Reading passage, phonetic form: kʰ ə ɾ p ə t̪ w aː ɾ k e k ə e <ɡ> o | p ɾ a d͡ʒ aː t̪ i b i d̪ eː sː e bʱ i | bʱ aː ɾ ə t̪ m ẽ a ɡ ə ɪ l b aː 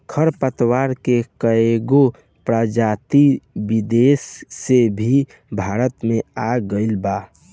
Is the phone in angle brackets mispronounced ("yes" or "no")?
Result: no